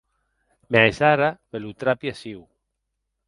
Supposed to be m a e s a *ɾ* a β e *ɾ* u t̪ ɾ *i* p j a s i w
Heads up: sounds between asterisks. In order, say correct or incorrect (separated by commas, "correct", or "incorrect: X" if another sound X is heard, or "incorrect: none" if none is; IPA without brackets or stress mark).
correct, incorrect: l, incorrect: a